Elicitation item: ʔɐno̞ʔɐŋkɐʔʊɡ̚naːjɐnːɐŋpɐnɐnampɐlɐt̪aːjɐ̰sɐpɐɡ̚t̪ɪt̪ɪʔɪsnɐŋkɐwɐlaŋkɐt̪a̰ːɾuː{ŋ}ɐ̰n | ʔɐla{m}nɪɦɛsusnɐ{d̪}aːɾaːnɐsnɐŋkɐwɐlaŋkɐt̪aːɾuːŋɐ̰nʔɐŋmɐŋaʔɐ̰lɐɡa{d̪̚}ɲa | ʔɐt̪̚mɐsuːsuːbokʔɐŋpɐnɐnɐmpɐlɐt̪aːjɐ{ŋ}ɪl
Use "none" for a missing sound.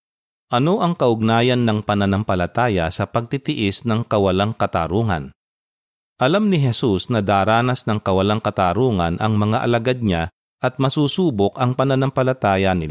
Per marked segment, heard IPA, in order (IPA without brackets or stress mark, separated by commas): ŋ, m, d̪, d̪̚, n